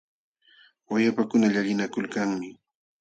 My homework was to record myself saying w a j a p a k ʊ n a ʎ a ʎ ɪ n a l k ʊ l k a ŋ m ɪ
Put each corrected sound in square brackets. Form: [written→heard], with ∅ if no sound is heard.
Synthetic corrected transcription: w a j a p a k ʊ n a ʎ a ʎ ɪ n a [l→∅] k ʊ l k a ŋ m ɪ

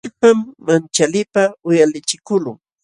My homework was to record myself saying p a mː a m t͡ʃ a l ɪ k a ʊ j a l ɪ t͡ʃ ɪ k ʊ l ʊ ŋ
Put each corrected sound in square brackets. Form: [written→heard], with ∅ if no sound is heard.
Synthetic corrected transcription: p a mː a [m→n] t͡ʃ a l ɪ [k→p] a ʊ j a l ɪ t͡ʃ ɪ k ʊ l ʊ ŋ

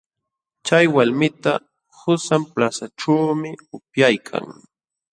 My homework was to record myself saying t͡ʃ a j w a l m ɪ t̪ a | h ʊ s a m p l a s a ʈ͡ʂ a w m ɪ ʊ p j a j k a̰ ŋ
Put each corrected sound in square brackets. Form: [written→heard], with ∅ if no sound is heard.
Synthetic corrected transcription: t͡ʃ a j w a l m ɪ t̪ a | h ʊ s a m p l a s a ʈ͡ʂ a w m ɪ ʊ p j a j [k→kʰ] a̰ ŋ

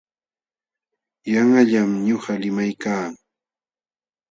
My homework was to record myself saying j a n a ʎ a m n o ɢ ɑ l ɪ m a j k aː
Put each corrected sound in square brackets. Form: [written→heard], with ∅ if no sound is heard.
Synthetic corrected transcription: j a [n→ŋ] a ʎ a m [n→ɲ] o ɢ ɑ l ɪ m a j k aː

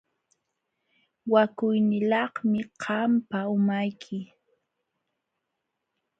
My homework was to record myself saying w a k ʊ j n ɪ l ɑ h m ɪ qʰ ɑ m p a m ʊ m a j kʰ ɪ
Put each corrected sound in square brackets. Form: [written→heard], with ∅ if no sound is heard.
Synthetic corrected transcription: w a k ʊ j n ɪ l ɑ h m ɪ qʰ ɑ m p a [m→∅] ʊ m a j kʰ ɪ

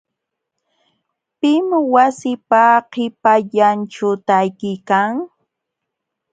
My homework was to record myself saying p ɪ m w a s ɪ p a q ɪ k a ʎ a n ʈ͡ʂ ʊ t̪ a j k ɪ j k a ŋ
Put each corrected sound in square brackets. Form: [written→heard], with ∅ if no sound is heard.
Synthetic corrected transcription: p ɪ m w a s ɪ p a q ɪ [k→p] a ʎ a n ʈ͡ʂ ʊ t̪ a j k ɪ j k a ŋ

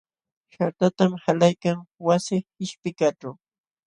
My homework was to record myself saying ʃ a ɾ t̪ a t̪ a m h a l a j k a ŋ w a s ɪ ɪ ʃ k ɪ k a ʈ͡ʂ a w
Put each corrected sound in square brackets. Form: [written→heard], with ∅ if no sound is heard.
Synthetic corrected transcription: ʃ a ɾ t̪ a t̪ a m h a l a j k a ŋ w a s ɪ ɪ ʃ [k→p] ɪ k a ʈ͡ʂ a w

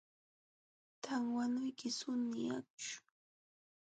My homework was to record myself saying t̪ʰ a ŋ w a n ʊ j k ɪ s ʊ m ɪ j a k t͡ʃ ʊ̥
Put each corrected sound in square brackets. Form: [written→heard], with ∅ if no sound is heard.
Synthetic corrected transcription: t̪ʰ a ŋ w a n ʊ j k ɪ s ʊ [m→n] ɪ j a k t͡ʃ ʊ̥

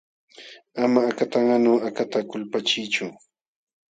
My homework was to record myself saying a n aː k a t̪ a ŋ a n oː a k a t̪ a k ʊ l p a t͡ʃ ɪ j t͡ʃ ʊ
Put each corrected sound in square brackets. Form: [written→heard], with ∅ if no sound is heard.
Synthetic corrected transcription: a [n→m] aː k a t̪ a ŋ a n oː a k a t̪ a k ʊ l p a t͡ʃ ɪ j t͡ʃ ʊ

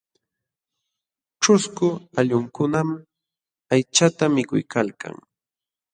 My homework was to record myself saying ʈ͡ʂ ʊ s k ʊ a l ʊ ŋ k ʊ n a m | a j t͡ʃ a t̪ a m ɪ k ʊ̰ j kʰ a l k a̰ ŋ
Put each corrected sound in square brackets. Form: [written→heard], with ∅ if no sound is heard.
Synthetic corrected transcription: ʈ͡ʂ ʊ s k ʊ a [l→ʎ] ʊ ŋ k ʊ n a m | a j t͡ʃ a t̪ a m ɪ k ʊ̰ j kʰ a l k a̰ ŋ

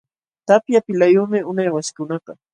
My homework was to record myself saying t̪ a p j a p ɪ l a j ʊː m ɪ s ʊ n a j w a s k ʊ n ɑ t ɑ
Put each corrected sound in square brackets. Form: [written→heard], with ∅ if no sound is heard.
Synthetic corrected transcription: t̪ a p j a p ɪ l a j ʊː m ɪ [s→∅] ʊ n a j w a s k ʊ n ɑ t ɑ

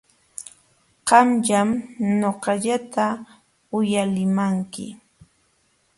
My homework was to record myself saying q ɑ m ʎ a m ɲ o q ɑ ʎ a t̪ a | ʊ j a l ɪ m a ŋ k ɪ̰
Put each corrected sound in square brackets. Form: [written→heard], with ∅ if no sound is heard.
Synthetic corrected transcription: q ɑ m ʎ a m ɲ o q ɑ ʎ a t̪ a | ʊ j a l ɪ m a ŋ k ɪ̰

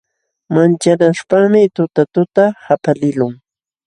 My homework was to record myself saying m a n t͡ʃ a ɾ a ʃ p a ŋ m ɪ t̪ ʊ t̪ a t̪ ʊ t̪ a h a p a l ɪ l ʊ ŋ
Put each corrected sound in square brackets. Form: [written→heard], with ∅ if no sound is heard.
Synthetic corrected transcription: m a n t͡ʃ a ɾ a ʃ p a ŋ m ɪ t̪ ʊ t̪ a t̪ ʊ t̪ a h a p a l ɪ l ʊ ŋ

